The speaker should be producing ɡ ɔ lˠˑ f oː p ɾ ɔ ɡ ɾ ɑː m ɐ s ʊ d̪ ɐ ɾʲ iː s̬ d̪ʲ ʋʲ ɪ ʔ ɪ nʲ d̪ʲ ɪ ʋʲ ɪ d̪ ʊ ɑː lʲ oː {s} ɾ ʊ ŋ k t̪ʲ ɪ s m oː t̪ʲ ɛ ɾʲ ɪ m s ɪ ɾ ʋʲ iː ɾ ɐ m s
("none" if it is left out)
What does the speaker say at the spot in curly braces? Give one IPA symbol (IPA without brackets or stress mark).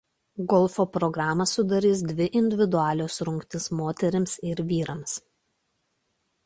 s